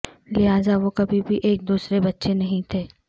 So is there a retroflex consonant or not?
no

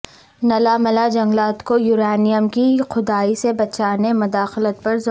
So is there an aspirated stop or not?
no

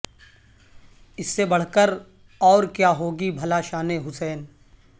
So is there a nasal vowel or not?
no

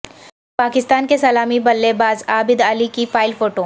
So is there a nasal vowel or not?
no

